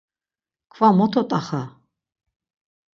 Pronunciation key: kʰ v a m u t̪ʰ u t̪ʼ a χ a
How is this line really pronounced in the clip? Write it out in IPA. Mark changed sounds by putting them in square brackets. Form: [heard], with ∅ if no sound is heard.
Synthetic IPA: kʰ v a m [ɔ] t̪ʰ [ɔ] t̪ʼ a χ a